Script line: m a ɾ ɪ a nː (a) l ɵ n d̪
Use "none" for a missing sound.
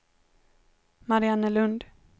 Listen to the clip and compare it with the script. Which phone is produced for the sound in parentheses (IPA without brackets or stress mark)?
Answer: ə